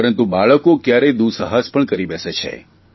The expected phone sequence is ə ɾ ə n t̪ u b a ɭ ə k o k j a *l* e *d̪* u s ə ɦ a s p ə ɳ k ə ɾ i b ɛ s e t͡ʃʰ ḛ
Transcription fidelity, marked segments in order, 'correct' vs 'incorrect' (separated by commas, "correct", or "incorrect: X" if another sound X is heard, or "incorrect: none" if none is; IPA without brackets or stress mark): incorrect: ɾ, correct